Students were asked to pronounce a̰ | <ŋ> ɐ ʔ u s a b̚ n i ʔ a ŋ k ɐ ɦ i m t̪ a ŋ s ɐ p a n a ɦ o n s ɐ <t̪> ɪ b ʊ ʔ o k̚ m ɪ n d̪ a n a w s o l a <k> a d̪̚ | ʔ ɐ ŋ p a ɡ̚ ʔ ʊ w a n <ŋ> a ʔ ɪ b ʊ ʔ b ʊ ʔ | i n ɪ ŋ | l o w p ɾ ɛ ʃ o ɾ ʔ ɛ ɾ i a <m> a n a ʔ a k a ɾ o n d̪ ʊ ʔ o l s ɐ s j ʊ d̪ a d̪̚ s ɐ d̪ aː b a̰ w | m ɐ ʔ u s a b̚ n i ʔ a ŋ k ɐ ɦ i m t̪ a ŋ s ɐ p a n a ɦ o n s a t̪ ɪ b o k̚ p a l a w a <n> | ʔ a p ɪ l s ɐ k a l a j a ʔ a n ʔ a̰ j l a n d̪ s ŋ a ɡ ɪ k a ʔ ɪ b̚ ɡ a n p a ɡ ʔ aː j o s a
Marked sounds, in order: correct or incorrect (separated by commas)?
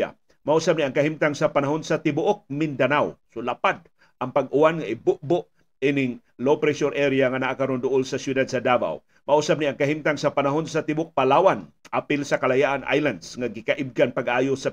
incorrect, correct, incorrect, correct, incorrect, correct